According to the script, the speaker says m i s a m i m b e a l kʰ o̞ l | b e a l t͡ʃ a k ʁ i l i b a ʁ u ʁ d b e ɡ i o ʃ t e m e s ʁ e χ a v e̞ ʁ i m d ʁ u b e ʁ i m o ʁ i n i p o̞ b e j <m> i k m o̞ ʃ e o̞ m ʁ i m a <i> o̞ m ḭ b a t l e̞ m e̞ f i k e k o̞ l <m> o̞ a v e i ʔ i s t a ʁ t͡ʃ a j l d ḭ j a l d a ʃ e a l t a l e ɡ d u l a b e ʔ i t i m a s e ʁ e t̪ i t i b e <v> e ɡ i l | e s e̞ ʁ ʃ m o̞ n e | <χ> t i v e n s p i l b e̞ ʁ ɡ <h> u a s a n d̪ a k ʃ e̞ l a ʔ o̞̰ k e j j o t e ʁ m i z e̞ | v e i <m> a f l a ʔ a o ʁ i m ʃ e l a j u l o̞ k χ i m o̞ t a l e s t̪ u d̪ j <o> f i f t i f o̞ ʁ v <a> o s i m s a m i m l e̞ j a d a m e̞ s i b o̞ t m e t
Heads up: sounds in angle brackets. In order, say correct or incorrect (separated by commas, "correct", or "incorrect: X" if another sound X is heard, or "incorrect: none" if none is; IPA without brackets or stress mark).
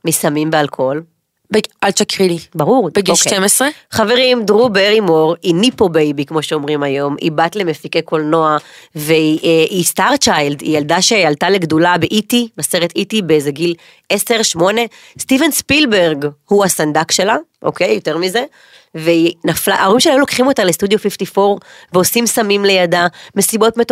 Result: incorrect: b, incorrect: j, incorrect: n, incorrect: z, incorrect: s, correct, incorrect: n, correct, incorrect: e